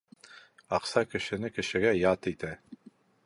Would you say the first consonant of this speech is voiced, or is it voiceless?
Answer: voiceless